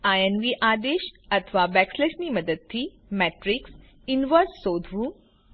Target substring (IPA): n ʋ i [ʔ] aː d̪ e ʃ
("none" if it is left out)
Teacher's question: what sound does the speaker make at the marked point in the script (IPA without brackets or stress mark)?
ʔ